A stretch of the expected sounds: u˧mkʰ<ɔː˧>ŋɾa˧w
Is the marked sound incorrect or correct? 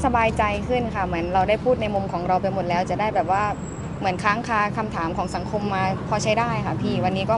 incorrect